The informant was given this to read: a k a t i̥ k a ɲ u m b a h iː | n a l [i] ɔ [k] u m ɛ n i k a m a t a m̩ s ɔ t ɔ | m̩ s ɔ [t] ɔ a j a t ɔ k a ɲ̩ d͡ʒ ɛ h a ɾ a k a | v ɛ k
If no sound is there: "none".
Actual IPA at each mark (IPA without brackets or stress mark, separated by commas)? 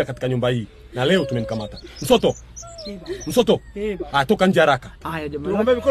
ɛ, t, t